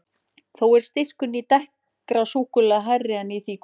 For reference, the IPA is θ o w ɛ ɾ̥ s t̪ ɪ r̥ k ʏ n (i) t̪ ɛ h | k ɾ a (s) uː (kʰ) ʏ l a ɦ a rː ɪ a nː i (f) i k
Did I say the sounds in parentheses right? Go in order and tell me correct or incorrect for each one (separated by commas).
correct, correct, incorrect, incorrect